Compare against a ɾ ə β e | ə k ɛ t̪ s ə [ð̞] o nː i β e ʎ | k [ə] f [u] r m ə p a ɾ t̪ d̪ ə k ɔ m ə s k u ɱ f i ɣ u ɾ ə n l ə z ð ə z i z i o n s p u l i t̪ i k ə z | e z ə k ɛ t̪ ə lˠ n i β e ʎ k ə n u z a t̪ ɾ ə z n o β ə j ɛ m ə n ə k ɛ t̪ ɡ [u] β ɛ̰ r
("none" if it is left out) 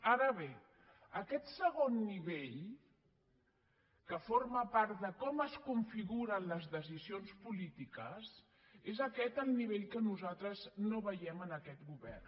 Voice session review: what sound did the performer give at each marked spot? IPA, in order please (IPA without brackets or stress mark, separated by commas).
ɣ̞, ə, o, u